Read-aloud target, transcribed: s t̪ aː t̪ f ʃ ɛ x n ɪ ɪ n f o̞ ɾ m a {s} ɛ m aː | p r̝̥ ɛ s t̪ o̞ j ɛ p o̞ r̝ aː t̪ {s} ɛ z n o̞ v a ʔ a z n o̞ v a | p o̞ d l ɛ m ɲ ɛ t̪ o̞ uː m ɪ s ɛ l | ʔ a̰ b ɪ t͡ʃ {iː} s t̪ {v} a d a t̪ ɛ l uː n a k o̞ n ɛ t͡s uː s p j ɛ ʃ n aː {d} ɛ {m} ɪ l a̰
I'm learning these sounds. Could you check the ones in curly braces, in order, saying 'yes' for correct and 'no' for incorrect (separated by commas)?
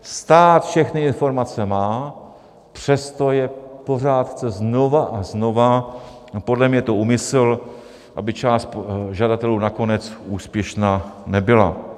no, no, no, no, no, no